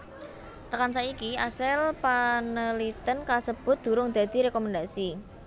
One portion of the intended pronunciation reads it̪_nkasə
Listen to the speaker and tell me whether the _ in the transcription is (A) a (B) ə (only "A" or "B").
B